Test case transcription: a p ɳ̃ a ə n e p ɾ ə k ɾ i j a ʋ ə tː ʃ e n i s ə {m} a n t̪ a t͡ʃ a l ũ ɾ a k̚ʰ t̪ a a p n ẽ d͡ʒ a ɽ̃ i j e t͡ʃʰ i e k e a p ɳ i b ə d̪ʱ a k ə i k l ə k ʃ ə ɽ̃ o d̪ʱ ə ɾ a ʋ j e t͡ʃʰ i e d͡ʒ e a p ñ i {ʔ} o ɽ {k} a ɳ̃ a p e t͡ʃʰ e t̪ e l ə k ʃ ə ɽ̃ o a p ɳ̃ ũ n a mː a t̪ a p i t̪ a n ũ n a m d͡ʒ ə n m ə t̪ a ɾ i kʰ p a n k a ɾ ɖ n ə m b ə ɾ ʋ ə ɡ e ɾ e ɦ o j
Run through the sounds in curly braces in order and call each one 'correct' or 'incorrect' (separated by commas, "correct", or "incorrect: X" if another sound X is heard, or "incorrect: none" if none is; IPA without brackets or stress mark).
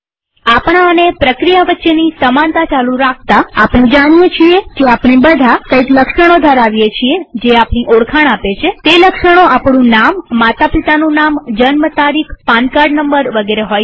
correct, correct, incorrect: kʰ